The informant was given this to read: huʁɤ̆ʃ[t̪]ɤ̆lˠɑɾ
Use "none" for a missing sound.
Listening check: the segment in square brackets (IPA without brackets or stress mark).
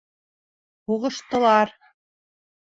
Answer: t̪